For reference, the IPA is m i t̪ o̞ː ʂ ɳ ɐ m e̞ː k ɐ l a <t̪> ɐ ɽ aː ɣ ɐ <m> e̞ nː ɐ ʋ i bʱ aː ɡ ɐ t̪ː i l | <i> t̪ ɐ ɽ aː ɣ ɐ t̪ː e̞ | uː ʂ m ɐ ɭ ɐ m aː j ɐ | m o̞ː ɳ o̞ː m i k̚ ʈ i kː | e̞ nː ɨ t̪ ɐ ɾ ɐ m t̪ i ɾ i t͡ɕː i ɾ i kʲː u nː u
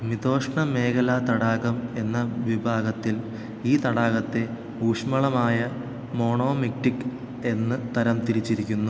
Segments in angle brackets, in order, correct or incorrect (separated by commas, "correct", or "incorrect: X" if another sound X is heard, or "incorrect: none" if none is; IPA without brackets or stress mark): correct, correct, incorrect: iː